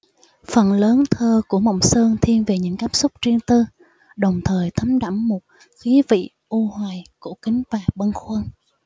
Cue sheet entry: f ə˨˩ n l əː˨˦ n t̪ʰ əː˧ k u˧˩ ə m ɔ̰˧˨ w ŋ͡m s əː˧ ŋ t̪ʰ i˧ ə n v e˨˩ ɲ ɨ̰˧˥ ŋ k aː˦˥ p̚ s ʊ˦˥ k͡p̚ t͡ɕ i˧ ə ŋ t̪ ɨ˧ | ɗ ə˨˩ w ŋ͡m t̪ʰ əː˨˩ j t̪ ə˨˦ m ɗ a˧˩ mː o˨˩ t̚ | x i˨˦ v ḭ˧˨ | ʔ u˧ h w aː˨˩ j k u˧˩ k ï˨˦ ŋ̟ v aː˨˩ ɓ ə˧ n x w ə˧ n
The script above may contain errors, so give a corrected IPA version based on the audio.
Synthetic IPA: f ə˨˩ n l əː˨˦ n t̪ʰ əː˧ k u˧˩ ə m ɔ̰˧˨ w ŋ͡m s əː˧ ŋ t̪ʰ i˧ ə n v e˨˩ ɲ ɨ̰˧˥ ŋ k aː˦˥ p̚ s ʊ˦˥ k͡p̚ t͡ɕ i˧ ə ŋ t̪ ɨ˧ | ɗ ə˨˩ w ŋ͡m t̪ʰ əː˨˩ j t̪ʰ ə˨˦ m ɗ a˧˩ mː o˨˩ t̚ | x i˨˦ v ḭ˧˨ | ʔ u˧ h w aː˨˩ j k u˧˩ k ï˨˦ ŋ̟ v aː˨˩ ɓ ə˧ n x w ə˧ n